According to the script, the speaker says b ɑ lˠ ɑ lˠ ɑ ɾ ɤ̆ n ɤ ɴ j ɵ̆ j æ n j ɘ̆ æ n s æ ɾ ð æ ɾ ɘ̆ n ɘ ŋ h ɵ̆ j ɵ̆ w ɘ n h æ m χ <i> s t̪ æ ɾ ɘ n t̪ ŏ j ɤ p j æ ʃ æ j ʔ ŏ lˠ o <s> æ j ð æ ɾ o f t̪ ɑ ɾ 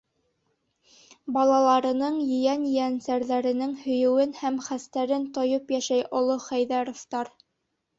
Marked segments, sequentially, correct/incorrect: incorrect: æ, incorrect: χ

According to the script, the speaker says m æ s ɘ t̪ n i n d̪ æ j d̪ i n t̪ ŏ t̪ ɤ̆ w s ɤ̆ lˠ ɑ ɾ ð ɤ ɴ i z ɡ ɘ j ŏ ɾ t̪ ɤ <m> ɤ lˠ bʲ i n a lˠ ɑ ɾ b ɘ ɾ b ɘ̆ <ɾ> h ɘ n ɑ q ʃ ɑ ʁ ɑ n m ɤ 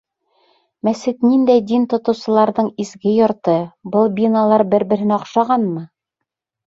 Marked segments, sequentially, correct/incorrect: incorrect: b, correct

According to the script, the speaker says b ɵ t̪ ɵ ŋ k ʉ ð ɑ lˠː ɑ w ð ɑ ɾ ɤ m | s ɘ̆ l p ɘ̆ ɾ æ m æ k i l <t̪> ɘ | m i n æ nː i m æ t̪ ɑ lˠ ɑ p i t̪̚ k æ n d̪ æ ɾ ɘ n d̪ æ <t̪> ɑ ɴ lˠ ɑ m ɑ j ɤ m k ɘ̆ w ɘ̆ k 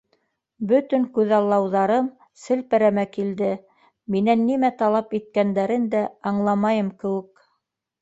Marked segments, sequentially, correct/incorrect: incorrect: d̪, incorrect: none

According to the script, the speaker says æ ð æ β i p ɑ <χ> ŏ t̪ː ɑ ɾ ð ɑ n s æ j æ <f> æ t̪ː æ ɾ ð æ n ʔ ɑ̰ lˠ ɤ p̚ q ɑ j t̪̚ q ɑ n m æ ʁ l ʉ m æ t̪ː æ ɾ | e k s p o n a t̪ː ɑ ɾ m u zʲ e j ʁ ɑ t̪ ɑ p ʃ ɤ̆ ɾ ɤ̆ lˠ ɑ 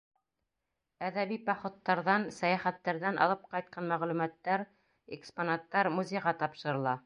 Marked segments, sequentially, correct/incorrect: correct, incorrect: χ

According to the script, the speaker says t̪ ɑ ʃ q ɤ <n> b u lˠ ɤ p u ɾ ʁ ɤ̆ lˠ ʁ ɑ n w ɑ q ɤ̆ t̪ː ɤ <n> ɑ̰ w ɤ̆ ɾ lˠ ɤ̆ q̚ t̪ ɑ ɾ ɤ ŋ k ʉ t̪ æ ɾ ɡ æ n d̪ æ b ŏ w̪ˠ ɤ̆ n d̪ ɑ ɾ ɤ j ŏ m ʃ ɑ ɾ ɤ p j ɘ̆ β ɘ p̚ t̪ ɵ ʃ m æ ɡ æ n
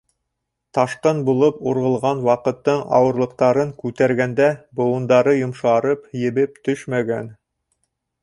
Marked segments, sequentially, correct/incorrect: correct, incorrect: ɴ

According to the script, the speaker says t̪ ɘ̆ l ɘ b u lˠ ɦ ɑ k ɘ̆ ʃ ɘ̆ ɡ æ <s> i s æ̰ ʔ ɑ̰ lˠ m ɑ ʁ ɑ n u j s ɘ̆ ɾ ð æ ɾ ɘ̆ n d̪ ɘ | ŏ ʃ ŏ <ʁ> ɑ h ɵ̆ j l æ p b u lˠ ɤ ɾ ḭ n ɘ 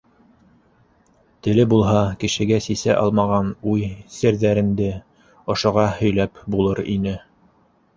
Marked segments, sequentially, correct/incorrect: correct, correct

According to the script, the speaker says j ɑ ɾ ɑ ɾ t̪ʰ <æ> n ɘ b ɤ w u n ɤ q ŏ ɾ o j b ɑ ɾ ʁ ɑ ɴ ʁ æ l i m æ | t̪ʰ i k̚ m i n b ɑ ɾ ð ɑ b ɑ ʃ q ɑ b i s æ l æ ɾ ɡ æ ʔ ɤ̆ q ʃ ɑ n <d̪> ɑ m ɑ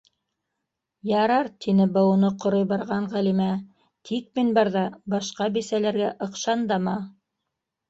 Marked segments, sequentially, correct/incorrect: incorrect: i, correct

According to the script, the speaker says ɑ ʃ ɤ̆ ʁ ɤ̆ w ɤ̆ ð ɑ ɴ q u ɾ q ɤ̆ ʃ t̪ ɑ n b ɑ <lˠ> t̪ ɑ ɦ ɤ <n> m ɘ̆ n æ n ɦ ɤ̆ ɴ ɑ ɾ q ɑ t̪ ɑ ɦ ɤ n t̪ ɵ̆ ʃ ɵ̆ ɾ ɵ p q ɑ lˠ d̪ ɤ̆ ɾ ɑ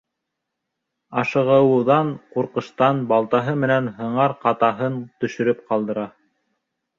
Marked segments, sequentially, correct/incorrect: correct, incorrect: none

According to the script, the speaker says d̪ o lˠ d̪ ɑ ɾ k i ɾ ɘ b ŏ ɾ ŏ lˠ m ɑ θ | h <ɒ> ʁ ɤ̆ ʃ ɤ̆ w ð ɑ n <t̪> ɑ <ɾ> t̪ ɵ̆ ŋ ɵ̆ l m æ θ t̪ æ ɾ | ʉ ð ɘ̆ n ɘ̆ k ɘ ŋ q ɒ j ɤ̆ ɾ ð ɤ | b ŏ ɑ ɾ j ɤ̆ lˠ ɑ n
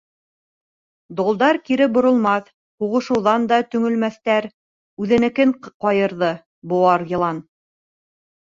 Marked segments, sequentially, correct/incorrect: incorrect: u, incorrect: d̪, incorrect: none

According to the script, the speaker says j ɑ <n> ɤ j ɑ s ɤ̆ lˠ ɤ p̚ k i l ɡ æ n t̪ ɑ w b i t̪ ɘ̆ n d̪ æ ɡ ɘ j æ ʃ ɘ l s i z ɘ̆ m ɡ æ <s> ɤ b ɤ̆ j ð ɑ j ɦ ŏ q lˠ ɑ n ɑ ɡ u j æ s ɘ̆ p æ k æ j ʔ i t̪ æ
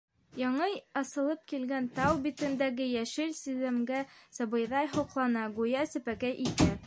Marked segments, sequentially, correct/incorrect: incorrect: ɴ, correct

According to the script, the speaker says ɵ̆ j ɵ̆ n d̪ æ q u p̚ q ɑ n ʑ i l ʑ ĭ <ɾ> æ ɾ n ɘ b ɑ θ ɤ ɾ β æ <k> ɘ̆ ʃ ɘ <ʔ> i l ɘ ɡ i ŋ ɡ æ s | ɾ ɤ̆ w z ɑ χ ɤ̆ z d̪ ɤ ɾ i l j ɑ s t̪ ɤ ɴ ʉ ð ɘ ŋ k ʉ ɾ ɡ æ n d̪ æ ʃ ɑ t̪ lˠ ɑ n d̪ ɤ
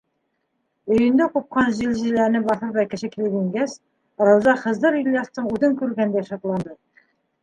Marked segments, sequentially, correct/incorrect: incorrect: l, correct, incorrect: k

